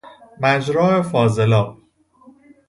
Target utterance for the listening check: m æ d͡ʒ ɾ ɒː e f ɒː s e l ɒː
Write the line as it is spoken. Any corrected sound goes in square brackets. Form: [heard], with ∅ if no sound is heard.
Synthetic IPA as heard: m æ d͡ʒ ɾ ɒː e f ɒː [z] e l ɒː